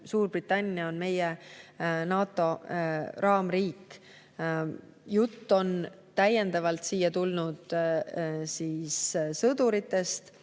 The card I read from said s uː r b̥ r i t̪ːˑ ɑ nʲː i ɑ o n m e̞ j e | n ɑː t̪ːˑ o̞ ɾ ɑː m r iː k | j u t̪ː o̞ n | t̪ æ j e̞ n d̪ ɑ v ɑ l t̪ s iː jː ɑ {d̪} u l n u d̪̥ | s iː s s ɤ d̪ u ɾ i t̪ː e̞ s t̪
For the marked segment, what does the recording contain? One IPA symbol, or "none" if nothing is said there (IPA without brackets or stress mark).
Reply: t̪